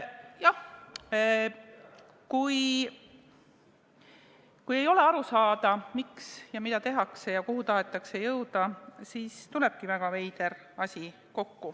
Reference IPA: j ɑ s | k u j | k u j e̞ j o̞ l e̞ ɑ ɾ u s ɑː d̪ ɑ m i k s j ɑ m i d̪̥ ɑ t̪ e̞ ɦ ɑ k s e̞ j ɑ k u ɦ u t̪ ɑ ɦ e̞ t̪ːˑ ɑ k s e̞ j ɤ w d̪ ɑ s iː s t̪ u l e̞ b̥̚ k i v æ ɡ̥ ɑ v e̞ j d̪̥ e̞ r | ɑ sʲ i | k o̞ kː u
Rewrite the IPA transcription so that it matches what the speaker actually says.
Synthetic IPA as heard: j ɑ h | k u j | k u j e̞ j o̞ l e̞ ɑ ɾ u s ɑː d̪ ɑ m i k s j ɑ m i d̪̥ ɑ t̪ e̞ ɦ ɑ k s e̞ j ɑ k u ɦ u t̪ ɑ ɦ e̞ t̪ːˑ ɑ k s e̞ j ɤ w d̪ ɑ s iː s t̪ u l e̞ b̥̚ k i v æ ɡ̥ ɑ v e̞ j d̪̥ e̞ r | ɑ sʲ i | k o̞ kː u